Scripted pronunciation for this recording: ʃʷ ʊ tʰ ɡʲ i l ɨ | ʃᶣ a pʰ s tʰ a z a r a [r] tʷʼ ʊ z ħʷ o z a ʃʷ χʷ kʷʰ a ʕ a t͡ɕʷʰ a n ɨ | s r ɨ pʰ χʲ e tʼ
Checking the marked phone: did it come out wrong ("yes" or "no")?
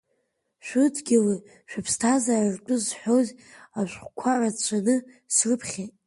no